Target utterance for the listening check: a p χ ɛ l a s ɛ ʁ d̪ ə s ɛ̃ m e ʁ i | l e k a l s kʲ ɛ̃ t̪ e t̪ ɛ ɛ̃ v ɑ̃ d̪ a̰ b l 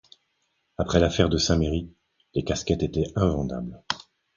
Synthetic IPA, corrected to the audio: a p χ ɛ l a f ɛ ʁ d̪ ə s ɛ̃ m e ʁ i | l e k a s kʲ ɛ t̪ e t̪ ɛ ɛ̃ v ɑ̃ d̪ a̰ b l